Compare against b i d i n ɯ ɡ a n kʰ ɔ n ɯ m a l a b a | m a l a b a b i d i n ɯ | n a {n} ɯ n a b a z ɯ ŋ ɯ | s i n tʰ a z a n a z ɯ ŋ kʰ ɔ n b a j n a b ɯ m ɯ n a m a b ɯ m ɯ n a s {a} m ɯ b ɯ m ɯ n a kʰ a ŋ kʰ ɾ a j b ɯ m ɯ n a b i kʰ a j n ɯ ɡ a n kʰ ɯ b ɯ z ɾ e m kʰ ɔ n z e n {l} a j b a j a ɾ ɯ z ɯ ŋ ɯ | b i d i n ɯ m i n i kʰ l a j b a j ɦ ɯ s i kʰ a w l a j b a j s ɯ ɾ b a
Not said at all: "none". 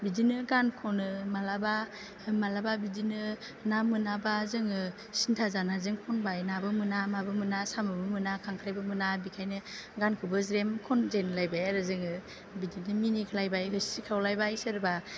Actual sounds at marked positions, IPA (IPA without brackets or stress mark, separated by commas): m, a, l